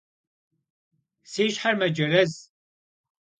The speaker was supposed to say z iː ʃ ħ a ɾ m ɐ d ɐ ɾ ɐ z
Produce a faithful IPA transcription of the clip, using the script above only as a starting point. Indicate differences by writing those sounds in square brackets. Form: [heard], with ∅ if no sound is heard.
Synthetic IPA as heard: [s] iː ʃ ħ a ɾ m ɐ [d͡ʒ] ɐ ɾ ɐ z